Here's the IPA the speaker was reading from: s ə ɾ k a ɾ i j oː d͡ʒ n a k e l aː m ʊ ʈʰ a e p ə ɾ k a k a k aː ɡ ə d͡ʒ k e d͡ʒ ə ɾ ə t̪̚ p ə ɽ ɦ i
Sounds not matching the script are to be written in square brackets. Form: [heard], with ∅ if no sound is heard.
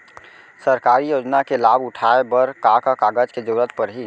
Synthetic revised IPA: s ə ɾ k a ɾ i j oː d͡ʒ n a k e l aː [b] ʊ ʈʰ a e [b] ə ɾ k a k a k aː ɡ ə d͡ʒ k e d͡ʒ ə ɾ ə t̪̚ p ə [ɾ] ɦ i